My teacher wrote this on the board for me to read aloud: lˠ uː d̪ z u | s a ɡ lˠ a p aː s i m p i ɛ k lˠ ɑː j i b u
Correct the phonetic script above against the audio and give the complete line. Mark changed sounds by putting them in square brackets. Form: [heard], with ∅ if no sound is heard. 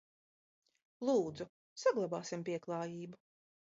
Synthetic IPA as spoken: lˠ uː d̪ z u | s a ɡ lˠ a [b] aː s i m p i ɛ k lˠ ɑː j [iː] b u